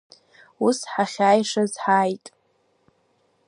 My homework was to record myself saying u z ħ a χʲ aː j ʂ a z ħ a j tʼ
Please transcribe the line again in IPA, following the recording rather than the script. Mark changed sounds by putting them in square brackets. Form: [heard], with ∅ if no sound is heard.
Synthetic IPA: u [s] ħ a χʲ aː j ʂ a z ħ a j tʼ